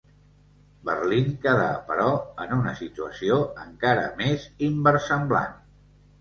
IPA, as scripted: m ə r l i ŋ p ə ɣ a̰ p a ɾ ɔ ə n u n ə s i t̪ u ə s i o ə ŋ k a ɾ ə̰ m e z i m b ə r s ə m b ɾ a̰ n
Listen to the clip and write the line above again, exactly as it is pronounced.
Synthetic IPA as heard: b ə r l i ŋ k ə ð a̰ p ə ɾ ɔ ə n u n ə s i t̪ u ə s i o ə ŋ k a ɾ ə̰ m e z i m b ə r s ə m b l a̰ n